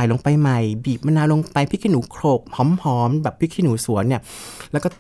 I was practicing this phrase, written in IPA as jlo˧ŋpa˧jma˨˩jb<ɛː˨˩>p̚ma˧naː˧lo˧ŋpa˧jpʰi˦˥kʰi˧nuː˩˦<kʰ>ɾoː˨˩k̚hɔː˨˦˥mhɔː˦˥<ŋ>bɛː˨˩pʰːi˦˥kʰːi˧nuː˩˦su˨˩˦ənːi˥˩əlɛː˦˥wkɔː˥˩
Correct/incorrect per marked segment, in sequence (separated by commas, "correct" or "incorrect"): incorrect, correct, incorrect